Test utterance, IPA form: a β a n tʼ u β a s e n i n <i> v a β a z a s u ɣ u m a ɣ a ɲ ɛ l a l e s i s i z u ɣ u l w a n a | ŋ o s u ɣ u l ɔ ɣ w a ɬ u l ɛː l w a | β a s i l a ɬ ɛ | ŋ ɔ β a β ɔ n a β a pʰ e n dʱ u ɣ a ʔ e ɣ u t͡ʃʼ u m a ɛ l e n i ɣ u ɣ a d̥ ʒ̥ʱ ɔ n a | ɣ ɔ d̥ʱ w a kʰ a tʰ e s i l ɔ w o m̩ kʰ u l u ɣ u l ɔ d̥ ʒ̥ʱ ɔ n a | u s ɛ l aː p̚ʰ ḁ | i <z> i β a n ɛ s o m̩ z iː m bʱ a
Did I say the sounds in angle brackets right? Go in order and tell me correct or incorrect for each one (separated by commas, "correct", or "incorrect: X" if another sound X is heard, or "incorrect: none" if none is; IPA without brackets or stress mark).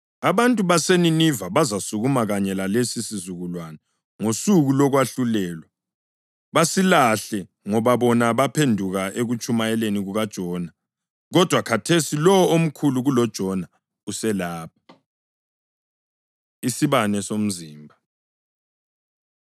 correct, incorrect: s